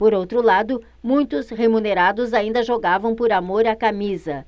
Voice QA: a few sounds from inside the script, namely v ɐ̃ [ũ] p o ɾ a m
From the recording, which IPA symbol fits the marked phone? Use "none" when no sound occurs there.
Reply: w̃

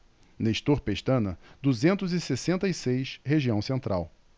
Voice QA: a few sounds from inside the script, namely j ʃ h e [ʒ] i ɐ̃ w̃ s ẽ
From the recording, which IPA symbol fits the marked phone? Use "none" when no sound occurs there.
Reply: ʒ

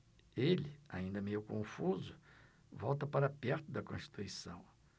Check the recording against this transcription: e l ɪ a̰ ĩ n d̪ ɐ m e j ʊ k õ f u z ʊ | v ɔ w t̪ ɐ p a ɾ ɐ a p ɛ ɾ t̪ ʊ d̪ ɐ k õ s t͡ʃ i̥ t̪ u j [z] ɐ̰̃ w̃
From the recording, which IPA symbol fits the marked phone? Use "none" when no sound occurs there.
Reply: s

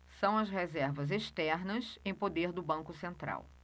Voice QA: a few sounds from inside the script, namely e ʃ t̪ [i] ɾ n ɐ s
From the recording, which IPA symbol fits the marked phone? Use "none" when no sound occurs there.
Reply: ɛ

